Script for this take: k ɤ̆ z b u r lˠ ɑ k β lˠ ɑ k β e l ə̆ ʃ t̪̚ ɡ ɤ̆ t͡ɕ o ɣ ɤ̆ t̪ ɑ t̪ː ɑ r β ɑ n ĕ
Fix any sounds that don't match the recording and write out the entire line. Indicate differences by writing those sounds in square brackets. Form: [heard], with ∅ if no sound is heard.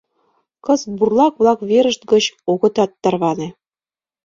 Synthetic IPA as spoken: k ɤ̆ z b u r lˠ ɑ k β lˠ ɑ k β e [ɾ] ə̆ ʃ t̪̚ ɡ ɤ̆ t͡ɕ o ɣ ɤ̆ t̪ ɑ t̪ː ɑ r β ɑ n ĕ